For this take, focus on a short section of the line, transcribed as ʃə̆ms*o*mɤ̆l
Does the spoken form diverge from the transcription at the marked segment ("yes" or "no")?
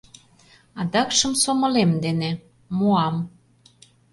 no